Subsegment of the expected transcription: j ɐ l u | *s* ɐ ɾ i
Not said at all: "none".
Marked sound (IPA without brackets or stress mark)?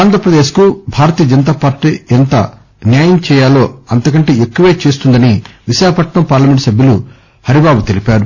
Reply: h